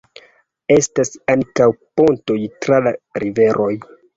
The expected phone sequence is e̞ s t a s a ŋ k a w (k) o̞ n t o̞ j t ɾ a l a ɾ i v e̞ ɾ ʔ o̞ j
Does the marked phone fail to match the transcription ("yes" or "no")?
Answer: yes